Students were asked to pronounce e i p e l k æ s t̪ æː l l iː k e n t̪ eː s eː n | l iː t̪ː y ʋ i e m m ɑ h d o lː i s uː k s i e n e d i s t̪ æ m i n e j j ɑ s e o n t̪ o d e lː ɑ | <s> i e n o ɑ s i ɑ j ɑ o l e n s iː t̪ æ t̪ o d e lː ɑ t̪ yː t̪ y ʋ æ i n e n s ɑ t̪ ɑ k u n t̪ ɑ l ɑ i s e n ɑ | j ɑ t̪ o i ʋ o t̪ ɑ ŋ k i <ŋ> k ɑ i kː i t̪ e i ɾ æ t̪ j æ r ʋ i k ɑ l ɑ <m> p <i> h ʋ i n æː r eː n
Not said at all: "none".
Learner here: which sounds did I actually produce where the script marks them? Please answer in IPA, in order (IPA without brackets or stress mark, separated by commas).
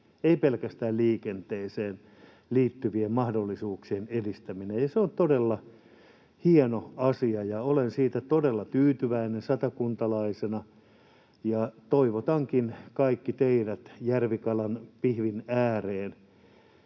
h, n, n, i